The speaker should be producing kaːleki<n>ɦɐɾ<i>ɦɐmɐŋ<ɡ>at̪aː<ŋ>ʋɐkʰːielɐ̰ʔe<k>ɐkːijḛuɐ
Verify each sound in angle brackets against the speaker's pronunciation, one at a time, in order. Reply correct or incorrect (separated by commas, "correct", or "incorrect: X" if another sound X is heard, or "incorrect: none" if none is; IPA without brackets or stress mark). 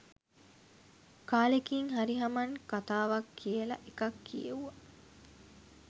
incorrect: ŋ, correct, incorrect: k, incorrect: none, correct